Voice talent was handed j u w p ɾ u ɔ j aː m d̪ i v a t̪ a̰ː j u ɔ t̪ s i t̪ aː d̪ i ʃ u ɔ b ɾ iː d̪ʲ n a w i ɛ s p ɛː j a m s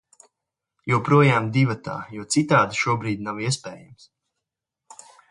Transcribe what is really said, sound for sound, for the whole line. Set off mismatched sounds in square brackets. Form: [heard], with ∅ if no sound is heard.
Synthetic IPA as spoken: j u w p ɾ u ɔ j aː m d̪ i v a t̪ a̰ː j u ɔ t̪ s i t̪ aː d̪ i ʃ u ɔ b ɾ iː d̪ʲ n a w i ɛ s p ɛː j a m s